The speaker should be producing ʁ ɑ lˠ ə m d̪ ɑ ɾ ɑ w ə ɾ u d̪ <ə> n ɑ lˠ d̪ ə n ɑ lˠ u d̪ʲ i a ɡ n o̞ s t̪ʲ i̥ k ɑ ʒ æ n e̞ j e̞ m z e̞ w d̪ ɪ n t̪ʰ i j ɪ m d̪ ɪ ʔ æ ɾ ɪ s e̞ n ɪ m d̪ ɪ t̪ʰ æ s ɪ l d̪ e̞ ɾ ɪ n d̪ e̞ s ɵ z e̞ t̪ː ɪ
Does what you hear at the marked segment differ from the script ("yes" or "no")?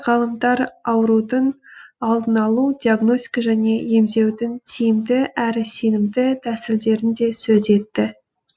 no